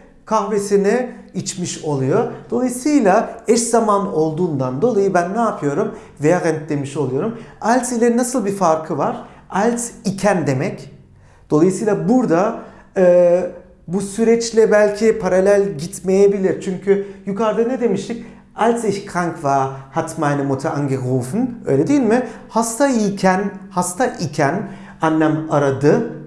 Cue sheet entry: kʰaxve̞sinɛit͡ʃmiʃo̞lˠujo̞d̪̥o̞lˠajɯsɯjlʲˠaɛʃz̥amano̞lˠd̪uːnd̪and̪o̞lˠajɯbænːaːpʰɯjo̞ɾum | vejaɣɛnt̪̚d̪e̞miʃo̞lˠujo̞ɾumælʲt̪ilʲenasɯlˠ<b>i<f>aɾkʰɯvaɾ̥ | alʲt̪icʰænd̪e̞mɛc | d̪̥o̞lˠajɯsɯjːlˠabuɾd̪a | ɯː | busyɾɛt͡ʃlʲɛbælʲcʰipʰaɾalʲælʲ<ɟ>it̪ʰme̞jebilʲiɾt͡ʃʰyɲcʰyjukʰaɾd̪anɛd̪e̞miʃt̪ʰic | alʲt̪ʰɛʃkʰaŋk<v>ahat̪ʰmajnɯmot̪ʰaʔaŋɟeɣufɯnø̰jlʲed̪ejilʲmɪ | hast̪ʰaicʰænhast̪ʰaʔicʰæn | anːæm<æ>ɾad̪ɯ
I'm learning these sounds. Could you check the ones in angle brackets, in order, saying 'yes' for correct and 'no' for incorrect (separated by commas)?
yes, yes, yes, yes, no